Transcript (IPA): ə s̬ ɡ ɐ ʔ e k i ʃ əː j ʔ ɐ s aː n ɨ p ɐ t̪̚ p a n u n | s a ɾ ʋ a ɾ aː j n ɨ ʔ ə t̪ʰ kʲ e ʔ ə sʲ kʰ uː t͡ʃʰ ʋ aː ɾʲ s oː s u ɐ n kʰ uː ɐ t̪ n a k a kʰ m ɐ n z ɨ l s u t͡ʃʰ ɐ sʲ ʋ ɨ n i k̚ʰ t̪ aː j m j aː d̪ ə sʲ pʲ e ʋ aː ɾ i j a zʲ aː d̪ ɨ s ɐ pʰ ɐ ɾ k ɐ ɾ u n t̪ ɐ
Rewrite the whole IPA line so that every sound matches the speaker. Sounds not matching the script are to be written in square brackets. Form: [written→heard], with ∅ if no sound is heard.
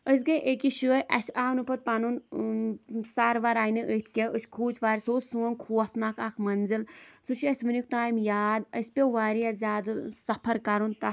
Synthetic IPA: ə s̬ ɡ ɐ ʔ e k i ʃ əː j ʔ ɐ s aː n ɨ p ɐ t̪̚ p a n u n | s a ɾ ʋ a ɾ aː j n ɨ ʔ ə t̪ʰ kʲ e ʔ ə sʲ kʰ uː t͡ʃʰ ʋ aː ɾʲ s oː s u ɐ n kʰ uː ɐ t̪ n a k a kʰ m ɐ n z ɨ l s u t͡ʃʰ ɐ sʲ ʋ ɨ n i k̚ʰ t̪ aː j m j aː d̪ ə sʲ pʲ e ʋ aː ɾ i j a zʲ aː d̪ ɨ s ɐ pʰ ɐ ɾ k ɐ ɾ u n t̪ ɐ

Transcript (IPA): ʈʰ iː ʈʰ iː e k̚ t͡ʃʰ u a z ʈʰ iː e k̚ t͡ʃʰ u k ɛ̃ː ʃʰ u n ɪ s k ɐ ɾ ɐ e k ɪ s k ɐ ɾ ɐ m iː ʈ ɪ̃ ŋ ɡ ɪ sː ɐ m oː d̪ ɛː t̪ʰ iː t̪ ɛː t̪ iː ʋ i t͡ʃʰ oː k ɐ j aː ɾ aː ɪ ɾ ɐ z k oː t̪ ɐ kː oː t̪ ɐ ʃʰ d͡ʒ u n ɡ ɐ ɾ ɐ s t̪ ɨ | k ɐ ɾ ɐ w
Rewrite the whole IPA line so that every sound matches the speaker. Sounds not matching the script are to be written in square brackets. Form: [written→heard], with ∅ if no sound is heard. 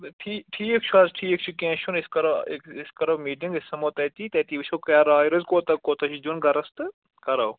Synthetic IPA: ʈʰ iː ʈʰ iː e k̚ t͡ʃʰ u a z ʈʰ iː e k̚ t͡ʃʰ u k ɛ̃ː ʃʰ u n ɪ s k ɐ ɾ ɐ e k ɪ s k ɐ ɾ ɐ m iː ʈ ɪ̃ ŋ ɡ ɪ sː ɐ m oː [d̪→t̪] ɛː [t̪ʰ→t̪] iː t̪ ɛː t̪ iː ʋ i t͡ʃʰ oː k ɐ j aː ɾ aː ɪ ɾ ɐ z k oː t̪ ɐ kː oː t̪ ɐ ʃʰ d͡ʒ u n ɡ ɐ ɾ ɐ s t̪ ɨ | k ɐ ɾ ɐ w

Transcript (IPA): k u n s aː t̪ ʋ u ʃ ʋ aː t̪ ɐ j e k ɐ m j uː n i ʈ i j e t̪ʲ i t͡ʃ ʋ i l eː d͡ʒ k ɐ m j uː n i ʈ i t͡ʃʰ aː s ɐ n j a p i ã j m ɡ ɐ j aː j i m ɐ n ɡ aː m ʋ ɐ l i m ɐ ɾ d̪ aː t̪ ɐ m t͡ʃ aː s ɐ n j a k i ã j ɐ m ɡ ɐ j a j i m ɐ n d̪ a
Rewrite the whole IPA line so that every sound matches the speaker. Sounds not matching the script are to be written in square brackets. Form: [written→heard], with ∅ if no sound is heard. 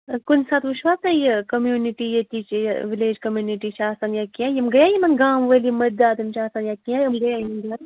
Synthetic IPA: k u n s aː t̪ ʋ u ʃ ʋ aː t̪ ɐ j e k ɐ m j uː n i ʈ i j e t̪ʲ i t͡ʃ ʋ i l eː d͡ʒ k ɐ m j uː n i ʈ i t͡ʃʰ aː s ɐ n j a [p→k] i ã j m ɡ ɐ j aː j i m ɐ n ɡ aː m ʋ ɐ l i m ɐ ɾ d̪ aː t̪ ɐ m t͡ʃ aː s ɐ n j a k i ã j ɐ m ɡ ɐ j a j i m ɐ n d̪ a

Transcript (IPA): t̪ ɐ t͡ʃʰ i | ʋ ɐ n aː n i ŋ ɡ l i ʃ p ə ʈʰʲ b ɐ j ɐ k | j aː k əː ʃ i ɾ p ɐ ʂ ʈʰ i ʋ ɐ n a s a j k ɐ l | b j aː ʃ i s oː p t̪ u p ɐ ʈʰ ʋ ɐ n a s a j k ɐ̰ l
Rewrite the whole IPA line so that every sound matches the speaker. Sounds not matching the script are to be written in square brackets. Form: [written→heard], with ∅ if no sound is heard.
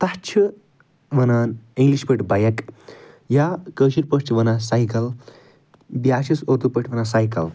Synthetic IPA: t̪ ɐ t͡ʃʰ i | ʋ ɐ n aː n i ŋ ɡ l i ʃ p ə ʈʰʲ b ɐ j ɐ k | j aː k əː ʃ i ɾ p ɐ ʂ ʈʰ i ʋ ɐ n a s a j k ɐ l | b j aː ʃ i s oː [p→∅] t̪ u p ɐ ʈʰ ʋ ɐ n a s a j k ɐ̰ l

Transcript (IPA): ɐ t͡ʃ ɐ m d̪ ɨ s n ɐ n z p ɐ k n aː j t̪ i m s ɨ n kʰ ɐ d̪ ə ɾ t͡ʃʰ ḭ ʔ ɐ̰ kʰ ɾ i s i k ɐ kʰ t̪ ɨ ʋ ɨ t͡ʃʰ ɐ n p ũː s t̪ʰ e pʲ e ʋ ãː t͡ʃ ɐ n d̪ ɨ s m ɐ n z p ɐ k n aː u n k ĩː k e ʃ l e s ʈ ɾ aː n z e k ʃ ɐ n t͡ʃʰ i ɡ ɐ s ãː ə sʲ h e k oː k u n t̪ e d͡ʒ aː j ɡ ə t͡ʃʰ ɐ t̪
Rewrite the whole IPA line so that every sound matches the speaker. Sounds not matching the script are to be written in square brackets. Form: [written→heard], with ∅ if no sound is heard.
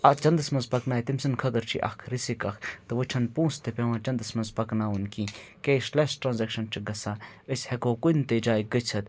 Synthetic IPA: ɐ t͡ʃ ɐ [m→n] d̪ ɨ s [n→m] ɐ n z p ɐ k n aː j t̪ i m s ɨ n kʰ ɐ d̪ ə ɾ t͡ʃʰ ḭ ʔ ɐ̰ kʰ ɾ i s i k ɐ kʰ t̪ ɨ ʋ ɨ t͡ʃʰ ɐ n p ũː s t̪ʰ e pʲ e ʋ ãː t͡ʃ ɐ n d̪ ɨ s m ɐ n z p ɐ k n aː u n k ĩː k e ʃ l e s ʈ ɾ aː n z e k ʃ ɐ n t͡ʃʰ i ɡ ɐ s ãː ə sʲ h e k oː k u n t̪ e d͡ʒ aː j ɡ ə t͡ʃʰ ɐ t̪

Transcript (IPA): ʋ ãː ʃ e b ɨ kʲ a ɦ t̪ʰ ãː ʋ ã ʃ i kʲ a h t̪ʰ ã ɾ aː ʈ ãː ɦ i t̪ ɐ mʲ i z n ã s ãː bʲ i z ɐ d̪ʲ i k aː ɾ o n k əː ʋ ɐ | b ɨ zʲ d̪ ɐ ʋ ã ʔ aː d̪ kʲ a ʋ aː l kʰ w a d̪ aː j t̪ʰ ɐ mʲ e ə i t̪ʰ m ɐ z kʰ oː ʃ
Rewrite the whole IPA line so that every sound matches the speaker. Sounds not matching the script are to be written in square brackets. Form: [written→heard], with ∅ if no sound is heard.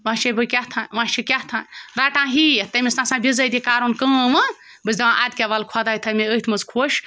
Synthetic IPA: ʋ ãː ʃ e b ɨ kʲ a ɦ t̪ʰ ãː ʋ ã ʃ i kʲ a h t̪ʰ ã ɾ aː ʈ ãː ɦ i t̪ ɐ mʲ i [z→s] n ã s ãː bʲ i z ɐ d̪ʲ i k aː ɾ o n k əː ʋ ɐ | b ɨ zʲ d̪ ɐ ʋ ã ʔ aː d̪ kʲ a ʋ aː l kʰ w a d̪ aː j t̪ʰ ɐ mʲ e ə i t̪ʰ m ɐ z kʰ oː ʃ

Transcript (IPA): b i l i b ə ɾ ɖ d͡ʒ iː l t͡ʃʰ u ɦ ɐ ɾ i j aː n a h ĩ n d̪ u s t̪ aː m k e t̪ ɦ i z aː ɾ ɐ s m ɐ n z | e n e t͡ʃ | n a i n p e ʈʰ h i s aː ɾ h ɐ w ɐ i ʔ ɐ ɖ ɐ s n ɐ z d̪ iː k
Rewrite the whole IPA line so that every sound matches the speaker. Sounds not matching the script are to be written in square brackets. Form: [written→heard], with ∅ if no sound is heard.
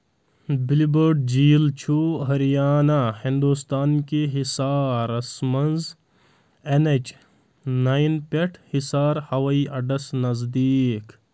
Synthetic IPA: b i l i b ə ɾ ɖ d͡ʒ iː l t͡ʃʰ u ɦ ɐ ɾ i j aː n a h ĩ n d̪ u s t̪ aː [m→n] k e [t̪→∅] ɦ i [z→s] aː ɾ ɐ s m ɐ n z | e n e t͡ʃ | n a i n p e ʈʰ h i s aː ɾ h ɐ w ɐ i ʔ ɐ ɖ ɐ s n ɐ z d̪ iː k

